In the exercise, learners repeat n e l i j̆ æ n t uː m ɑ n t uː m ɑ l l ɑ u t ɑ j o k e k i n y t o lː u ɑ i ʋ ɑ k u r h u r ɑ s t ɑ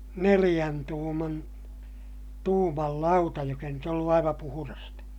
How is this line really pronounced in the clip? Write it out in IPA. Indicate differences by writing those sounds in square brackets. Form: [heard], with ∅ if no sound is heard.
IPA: n e l i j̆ æ n t uː m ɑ n t uː m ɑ l l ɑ u t ɑ j o k e [∅] i n y t o lː u ɑ i ʋ ɑ [p] u [∅] h u r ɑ s t ɑ